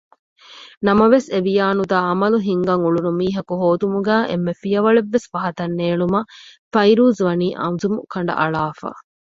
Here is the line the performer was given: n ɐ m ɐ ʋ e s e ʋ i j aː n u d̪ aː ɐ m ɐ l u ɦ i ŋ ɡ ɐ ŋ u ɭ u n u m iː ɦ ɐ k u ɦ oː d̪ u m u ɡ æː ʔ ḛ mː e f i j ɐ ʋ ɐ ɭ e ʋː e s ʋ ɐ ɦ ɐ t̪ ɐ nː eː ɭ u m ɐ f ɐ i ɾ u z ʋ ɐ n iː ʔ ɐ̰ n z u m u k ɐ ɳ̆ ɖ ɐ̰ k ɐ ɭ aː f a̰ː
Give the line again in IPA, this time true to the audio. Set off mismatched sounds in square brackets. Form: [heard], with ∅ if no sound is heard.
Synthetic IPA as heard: n ɐ m ɐ ʋ e s e ʋ i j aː n u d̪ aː ɐ m ɐ l u ɦ i ŋ ɡ ɐ ŋ u ɭ u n u m iː ɦ ɐ k u ɦ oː d̪ u m u ɡ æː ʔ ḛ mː e f i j ɐ ʋ ɐ ɭ e ʋː e s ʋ ɐ ɦ ɐ t̪ ɐ nː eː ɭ u m ɐ f ɐ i ɾ [uː] z ʋ ɐ n iː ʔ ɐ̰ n z u m u k ɐ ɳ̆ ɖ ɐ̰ [ʔ] ɐ ɭ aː f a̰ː